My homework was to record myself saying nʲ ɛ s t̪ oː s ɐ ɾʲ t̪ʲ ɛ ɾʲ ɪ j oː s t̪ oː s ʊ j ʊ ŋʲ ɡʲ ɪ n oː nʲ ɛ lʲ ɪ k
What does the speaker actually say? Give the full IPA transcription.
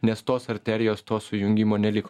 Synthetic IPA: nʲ ɛ s t̪ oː s ɐ ɾʲ t̪ʲ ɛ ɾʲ ɪ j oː s t̪ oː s ʊ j ʊ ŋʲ ɡʲ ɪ m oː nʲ ɛ lʲ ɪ k